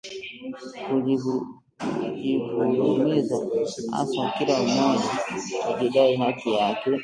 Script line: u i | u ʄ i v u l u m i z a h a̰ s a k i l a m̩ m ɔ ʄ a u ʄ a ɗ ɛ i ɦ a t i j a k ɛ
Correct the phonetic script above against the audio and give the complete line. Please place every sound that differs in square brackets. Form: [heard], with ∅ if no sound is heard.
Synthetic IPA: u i | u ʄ i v u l u m i z a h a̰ s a k i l a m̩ m ɔ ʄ a u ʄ [i] ɗ [a] i ɦ a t i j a k ɛ